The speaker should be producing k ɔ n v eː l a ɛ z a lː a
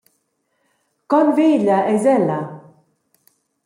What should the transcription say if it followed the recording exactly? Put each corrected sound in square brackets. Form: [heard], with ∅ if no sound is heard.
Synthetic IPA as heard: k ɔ n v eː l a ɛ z [ɛ] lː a